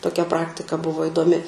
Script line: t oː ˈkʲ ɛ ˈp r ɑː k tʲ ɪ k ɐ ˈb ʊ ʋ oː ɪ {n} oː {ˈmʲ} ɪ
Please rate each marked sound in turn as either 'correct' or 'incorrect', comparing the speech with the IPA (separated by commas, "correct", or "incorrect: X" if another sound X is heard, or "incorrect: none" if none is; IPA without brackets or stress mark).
incorrect: d, correct